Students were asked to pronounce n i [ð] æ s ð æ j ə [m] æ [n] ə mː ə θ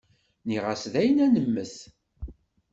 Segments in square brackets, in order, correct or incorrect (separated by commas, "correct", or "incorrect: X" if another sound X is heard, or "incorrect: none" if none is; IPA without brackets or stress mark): incorrect: ʁ, incorrect: n, correct